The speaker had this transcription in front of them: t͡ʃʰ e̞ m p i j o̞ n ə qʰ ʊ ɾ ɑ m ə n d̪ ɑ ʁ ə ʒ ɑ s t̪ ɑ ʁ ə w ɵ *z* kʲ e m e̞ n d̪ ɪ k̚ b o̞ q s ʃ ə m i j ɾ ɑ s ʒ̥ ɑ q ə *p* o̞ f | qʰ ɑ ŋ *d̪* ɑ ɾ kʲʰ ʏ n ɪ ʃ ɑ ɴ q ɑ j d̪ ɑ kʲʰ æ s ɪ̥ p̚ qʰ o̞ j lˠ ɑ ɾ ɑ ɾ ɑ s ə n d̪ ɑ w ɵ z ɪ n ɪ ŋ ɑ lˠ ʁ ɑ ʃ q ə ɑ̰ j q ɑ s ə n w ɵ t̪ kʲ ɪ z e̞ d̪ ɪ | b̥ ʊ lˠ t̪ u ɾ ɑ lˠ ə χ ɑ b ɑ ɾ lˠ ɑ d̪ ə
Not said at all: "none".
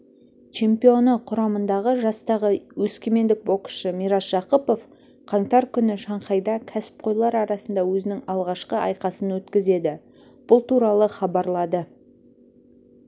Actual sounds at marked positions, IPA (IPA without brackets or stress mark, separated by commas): s, p, t̪